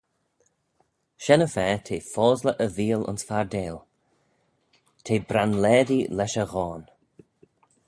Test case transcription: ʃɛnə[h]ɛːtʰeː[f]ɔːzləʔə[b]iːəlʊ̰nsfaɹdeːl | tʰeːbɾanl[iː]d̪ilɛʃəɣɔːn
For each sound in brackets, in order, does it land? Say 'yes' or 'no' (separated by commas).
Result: no, yes, no, no